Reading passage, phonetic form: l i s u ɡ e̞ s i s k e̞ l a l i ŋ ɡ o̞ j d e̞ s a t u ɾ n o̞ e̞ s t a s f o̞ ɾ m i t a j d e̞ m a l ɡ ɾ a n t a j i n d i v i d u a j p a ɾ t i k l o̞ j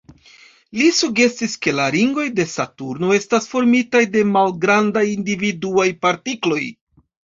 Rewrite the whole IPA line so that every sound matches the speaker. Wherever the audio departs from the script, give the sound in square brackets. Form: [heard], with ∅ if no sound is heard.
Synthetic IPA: l i s u ɡ e̞ s i s k e̞ l a [ɾ] i ŋ ɡ o̞ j d e̞ s a t u ɾ n o̞ e̞ s t a s f o̞ ɾ m i t a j d e̞ m a l ɡ ɾ a n [d] a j i n d i v i d u a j p a ɾ t i k l o̞ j